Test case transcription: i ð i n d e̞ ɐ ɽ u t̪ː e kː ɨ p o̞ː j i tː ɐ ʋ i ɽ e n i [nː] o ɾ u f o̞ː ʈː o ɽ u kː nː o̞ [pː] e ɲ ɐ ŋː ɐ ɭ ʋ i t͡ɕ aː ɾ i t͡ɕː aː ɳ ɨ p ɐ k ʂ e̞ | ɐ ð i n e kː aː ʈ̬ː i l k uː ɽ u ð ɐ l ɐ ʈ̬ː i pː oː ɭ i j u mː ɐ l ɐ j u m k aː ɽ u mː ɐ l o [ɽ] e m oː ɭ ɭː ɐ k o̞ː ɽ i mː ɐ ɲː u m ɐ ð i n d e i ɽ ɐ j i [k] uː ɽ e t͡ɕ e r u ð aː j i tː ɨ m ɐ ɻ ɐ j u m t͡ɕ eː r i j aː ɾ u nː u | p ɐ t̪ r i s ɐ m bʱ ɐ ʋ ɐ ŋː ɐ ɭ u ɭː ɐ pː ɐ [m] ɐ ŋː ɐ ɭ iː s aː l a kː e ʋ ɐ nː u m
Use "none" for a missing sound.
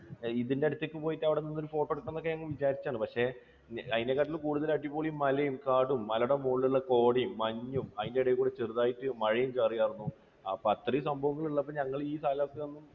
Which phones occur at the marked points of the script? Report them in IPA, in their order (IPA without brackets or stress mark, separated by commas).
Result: nː, kː, ɽ, k, ɲ